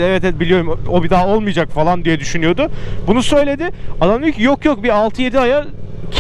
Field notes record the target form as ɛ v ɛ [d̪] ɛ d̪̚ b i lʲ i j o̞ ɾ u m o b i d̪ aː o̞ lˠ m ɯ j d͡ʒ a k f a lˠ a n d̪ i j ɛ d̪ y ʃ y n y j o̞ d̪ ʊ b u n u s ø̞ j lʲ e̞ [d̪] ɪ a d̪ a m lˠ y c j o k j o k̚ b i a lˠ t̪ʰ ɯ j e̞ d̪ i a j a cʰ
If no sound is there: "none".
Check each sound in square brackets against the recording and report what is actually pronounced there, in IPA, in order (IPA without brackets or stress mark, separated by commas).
t̪, d̪